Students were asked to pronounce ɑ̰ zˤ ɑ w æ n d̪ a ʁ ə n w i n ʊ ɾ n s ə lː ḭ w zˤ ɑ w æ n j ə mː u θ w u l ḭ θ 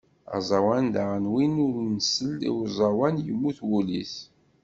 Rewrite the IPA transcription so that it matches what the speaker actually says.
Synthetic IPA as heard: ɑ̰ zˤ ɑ w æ n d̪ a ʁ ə n w i n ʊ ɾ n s ə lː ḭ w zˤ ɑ w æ n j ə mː u θ w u l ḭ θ